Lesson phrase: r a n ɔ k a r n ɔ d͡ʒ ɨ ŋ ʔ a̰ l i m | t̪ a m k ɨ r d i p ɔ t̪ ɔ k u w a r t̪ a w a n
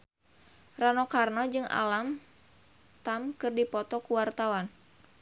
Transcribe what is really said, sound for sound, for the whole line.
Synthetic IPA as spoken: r a n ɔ k a r n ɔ d͡ʒ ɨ ŋ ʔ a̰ l a m | t̪ a m k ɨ r d i p ɔ t̪ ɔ k u w a r t̪ a w a n